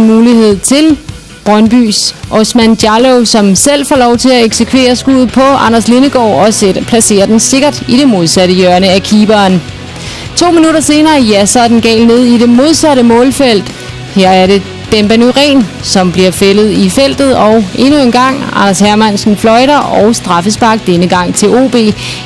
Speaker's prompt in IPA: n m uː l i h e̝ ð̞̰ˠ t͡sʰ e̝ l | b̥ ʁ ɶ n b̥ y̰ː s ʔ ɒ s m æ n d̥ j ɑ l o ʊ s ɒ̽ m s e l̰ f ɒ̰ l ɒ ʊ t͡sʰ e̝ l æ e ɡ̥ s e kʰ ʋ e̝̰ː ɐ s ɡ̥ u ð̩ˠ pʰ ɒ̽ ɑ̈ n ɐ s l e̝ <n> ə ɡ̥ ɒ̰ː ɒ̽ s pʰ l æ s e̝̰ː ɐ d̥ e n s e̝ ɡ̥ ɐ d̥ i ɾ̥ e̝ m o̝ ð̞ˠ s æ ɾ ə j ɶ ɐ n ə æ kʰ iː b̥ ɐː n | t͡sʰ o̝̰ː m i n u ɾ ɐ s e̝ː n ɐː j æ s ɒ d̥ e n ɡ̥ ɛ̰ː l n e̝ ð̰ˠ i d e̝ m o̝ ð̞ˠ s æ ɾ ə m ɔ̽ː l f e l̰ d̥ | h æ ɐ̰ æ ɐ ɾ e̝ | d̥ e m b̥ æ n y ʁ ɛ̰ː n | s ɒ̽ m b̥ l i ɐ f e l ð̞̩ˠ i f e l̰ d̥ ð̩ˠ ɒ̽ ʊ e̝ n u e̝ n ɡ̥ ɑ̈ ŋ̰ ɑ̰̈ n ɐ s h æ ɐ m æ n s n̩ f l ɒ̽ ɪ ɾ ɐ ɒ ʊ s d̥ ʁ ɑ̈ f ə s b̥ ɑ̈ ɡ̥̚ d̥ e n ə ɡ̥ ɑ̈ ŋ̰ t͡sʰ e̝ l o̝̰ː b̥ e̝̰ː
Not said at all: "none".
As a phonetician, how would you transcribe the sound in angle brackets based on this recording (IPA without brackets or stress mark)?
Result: n